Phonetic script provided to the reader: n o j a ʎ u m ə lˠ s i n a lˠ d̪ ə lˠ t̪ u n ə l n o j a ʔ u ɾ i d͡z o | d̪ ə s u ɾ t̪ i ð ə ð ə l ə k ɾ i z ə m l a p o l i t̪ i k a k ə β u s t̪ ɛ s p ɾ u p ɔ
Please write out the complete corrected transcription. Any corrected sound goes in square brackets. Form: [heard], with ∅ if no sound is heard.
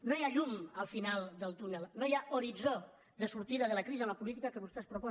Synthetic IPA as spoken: n o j a ʎ u m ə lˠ [f] i n a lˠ d̪ ə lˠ t̪ u n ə l n o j a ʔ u ɾ i d͡z o | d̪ ə s u ɾ t̪ i ð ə ð ə l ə k ɾ i z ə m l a p [u] l i t̪ i k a k ə β u s t̪ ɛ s p ɾ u p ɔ

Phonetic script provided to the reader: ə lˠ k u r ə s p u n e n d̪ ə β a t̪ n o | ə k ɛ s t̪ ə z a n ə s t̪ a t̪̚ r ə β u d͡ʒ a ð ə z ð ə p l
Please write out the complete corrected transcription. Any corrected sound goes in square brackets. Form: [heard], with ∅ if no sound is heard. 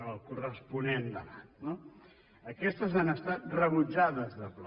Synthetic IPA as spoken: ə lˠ k u r ə s p u n e n d̪ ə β a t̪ n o | ə k ɛ s t̪ ə z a n ə s t̪ a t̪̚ r ə β u d͡ʒ a ð ə z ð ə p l

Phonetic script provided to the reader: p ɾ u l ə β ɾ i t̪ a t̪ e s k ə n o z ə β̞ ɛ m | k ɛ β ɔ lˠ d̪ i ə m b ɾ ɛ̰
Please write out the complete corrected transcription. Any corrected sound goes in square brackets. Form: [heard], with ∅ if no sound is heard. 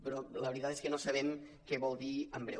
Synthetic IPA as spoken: p ɾ [ɔ] l ə β ɾ i t̪ a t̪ e s k ə n o [s] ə β̞ ɛ m | k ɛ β ɔ lˠ d̪ i ə m b ɾ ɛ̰

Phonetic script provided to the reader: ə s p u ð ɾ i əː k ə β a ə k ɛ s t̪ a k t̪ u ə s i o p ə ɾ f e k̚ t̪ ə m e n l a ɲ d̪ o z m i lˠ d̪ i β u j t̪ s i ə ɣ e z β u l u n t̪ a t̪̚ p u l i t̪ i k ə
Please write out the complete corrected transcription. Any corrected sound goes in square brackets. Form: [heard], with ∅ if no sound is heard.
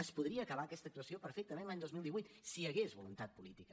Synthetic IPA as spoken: ə s p u ð ɾ i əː k ə β a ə k ɛ s t̪ [ə] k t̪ u ə s i o p ə ɾ f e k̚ t̪ ə m e n l a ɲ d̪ o z m i lˠ d̪ i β u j t̪ s i ə ɣ e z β u l u n t̪ a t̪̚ p u l i t̪ i k ə

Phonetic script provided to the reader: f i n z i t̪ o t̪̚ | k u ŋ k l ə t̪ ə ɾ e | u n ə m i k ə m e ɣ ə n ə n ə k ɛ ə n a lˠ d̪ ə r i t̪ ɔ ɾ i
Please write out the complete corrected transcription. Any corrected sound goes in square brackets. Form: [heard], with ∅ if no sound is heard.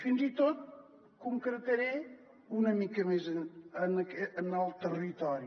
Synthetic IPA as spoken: f i n z i t̪ o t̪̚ | k u ŋ k [ɾ] ə t̪ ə ɾ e | u n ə m i k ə m e [z] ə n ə n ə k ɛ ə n a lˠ [t̪] ə r i t̪ ɔ ɾ i

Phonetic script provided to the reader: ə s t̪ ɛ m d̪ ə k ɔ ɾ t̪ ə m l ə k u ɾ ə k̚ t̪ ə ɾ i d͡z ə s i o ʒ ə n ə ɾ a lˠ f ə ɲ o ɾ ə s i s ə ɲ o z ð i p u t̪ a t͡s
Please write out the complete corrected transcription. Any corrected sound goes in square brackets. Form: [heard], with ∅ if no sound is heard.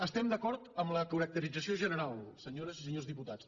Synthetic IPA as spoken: ə s t̪ ɛ m d̪ ə k ɔ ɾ t̪ ə m l ə k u ɾ ə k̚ t̪ ə ɾ i d͡z ə s i o ʒ ə n ə ɾ a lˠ [s] ə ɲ o ɾ ə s i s ə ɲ o z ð i p u t̪ a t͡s

